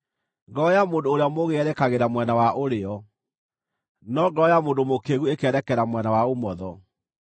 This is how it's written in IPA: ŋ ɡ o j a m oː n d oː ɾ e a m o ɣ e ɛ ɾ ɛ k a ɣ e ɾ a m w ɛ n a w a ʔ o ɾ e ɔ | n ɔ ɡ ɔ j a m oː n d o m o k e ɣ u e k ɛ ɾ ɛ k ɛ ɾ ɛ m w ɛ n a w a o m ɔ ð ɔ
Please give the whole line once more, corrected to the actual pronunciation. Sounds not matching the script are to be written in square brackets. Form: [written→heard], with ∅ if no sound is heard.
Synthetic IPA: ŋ ɡ [o→ɔ] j a m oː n d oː ɾ e a m o ɣ e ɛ ɾ ɛ k a ɣ e ɾ a m w ɛ n a w a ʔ o ɾ e ɔ | n ɔ ɡ ɔ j a m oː n d o m o k e ɣ u e k ɛ ɾ ɛ k ɛ ɾ [ɛ→a] m w ɛ n a w a o m ɔ ð ɔ

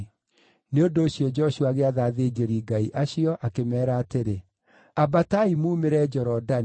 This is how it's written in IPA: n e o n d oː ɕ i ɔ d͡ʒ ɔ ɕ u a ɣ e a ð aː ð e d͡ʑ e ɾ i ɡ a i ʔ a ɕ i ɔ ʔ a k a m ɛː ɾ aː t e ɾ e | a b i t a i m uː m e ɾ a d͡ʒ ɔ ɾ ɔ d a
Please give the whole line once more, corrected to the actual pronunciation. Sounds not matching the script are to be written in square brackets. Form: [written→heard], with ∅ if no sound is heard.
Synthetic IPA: n e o n d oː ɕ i ɔ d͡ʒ ɔ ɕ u a ɣ e a ð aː ð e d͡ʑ e ɾ i ɡ a i ʔ a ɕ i ɔ ʔ a k [a→e] m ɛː ɾ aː t e ɾ e | a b [i→a] t a i m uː m e ɾ [a→ɛ] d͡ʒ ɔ ɾ ɔ d a

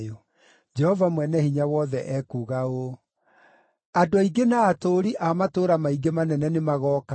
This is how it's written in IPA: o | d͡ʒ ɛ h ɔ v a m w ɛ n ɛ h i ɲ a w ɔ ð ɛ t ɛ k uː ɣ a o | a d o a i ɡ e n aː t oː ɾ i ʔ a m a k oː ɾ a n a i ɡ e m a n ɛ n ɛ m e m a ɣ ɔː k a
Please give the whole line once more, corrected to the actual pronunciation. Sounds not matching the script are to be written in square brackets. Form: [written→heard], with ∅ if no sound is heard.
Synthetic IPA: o | d͡ʒ ɛ h ɔ v a m w ɛ n ɛ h i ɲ a w ɔ ð ɛ [t→ʔ] ɛ k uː ɣ a o | a d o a i ɡ e n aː t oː ɾ i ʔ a m a [k→t] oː ɾ a [n→m] a i ɡ e m a n ɛ n ɛ [m→n] e m a ɣ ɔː k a

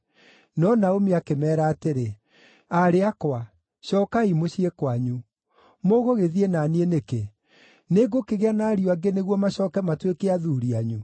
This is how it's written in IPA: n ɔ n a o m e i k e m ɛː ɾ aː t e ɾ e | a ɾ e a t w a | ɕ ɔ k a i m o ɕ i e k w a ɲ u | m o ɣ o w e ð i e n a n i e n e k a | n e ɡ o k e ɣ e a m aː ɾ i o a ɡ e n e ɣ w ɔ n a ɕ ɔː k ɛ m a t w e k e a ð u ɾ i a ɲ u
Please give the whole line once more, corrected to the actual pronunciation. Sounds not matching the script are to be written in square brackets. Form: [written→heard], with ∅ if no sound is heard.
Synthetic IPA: n ɔ n a o m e [i→a] k e m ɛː ɾ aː t e ɾ e | a ɾ e a [t→k] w a | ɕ ɔ k a i m o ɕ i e k w a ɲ u | m o ɣ o [w→ɣ] e ð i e n a n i e n e k [a→e] | n e ɡ o k e ɣ e a [m→n] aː ɾ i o a ɡ e n e ɣ w ɔ [n→m] a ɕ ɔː k ɛ m a t w e k e a ð u ɾ i a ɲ u

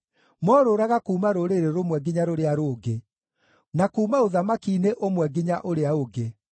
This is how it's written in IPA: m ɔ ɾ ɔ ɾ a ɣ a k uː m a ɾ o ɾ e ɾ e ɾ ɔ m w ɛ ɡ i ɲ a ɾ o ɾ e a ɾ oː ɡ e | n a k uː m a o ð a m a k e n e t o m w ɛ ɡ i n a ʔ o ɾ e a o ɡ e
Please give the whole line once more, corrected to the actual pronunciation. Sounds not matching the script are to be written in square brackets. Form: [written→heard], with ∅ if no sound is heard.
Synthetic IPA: m ɔ ɾ [ɔ→o] ɾ a ɣ a k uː m a ɾ o ɾ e ɾ e ɾ [ɔ→o] m w ɛ ɡ i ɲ a ɾ o ɾ e a ɾ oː ɡ e | n a k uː m a o ð a m a k [e→i] n e [t→ʔ] o m w ɛ ɡ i [n→ɲ] a ʔ o ɾ e a o ɡ e

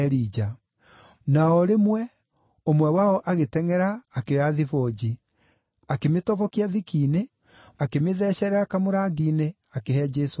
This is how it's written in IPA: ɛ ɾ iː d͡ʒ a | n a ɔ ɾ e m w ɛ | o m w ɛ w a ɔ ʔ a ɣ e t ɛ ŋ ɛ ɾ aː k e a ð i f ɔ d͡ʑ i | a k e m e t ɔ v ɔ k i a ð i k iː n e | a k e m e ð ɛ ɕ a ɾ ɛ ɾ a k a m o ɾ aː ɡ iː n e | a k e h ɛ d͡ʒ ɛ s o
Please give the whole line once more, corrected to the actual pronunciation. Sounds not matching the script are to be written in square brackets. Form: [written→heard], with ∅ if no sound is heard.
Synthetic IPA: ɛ ɾ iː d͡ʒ a | n a ɔ ɾ e m w ɛ | o m w ɛ w a ɔ ʔ a ɣ e t ɛ ŋ ɛ ɾ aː k e a ð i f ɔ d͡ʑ i | a k e m e t ɔ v ɔ k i a ð i k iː n e | a k e m e ð ɛ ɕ [a→ɛ] ɾ ɛ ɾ a k a m o ɾ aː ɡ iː n e | a k e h ɛ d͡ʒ ɛ s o

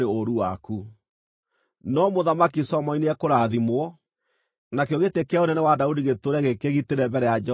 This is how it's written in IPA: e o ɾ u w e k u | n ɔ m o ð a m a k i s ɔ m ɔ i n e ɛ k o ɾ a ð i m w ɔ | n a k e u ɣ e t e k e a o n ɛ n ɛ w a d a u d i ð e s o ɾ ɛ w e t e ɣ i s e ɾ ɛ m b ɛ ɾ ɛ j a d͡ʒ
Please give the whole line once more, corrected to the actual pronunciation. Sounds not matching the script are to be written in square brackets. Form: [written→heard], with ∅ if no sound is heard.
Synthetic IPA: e o ɾ u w [e→a] k u | n ɔ m o ð a m a k i s ɔ m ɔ i n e ɛ k o ɾ a ð i m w ɔ | n a k e [u→o] ɣ e t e k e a o n ɛ n ɛ w a d a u d i [ð→ɣ] e [s→t] o ɾ ɛ [w→ɣ] e [t→k] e ɣ i [s→t] e ɾ ɛ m b ɛ ɾ ɛ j a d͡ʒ

